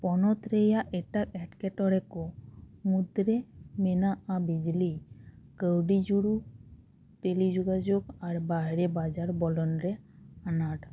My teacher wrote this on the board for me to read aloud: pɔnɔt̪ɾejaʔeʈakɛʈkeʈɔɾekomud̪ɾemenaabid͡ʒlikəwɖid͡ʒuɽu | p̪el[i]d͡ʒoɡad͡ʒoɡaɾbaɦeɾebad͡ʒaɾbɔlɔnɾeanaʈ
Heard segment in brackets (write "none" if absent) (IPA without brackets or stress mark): i